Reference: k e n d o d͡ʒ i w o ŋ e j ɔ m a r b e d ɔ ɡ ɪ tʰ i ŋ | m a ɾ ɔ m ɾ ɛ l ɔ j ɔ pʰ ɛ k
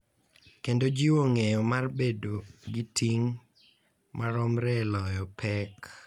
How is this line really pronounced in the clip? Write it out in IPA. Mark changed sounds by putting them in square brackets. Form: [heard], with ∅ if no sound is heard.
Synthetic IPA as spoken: k e n d o d͡ʒ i w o ŋ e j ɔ m a r b e d [o] ɡ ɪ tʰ i ŋ | m a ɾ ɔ m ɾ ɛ l ɔ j ɔ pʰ ɛ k